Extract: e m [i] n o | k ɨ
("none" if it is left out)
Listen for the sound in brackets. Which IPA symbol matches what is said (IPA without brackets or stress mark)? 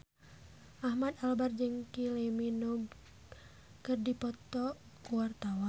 i